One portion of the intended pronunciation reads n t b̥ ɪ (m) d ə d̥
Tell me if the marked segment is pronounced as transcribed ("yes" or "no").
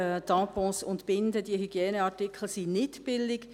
no